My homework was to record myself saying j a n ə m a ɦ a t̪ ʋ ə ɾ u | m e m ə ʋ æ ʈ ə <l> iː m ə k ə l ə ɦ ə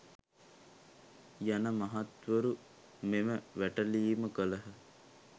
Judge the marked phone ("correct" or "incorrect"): correct